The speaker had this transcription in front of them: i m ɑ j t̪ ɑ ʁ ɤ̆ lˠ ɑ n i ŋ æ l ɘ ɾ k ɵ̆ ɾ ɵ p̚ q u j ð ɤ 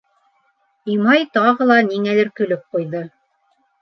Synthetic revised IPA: i m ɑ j t̪ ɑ ʁ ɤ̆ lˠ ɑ n i ŋ æ l ɘ ɾ k ɵ̆ l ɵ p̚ q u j ð ɤ